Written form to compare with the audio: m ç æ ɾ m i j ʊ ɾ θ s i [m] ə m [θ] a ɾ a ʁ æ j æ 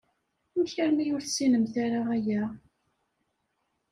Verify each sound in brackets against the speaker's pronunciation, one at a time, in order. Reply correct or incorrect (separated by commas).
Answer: incorrect, correct